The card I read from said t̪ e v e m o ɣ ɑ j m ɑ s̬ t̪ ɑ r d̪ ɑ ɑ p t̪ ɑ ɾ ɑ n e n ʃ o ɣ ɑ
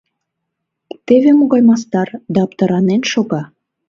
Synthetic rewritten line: t̪ e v e m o ɣ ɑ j m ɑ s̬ t̪ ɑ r d̪ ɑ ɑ p t̪ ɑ ɾ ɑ n e n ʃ o ɣ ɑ